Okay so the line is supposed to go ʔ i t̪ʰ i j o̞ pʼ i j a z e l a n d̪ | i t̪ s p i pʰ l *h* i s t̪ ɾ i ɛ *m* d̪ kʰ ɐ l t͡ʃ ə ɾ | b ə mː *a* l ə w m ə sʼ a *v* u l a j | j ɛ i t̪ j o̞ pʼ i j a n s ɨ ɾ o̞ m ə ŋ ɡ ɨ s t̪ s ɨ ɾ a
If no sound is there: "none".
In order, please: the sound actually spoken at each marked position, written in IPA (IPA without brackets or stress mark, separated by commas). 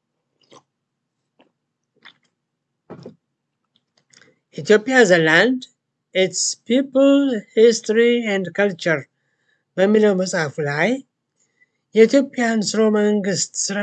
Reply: h, n, i, f